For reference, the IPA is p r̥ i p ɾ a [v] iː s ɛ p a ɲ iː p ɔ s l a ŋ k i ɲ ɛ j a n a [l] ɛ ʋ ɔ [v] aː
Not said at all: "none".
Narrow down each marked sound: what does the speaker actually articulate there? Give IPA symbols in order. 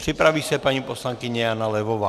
ʋ, l, ʋ

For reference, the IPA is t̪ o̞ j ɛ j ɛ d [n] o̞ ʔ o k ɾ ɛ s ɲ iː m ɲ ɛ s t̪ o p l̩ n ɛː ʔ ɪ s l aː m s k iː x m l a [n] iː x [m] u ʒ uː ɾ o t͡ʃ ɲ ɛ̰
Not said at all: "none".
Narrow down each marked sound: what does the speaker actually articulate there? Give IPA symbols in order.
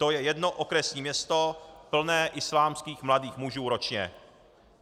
n, d, m

